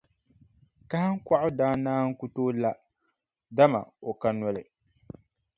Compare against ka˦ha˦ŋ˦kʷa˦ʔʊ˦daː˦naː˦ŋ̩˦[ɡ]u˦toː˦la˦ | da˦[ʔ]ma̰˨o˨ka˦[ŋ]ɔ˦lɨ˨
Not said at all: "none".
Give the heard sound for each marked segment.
k, none, n

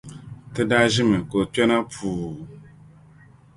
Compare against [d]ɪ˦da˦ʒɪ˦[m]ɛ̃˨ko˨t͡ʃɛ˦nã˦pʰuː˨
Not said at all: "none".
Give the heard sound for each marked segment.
t, m

